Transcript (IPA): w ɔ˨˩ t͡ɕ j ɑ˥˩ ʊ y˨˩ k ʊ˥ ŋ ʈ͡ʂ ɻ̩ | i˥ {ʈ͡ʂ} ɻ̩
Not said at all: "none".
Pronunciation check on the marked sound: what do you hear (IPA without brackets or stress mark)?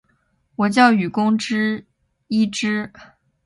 ʈ͡ʂ